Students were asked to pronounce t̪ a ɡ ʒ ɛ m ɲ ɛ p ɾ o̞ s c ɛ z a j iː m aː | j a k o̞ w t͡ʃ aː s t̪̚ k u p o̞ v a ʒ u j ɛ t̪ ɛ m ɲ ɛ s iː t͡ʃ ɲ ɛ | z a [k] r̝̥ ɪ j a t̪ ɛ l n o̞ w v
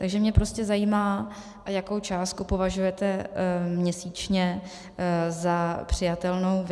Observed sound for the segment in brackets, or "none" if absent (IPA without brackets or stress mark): p